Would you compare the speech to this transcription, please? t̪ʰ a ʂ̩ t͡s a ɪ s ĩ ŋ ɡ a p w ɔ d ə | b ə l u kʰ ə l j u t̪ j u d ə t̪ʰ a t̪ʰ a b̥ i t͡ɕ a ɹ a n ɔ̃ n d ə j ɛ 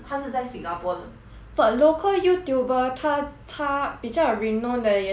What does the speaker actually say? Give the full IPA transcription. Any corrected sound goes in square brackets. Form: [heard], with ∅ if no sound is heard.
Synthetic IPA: t̪ʰ a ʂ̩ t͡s a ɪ s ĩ ŋ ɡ a p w ɔ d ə | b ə l [o] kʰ ə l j u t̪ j u [b] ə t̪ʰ a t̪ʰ a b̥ i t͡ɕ a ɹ [i] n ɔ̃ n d ə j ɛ